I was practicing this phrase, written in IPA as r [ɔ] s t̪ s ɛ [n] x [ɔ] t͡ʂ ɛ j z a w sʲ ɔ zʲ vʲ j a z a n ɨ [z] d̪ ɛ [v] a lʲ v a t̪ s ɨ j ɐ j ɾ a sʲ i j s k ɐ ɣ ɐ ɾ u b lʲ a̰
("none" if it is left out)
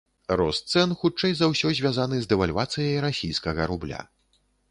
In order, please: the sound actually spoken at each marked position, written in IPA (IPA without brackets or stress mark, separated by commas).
ɔ, n, u, z, v